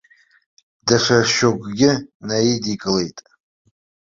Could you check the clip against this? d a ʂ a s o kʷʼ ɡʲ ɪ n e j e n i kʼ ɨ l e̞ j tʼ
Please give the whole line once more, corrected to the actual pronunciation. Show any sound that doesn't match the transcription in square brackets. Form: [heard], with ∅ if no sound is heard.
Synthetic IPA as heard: d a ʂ a [ʃ] o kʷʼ ɡʲ ɪ n [a] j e [d] i kʼ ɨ l e̞ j tʼ